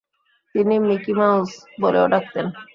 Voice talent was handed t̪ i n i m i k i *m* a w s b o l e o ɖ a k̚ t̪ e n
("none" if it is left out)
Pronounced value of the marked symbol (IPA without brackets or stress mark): m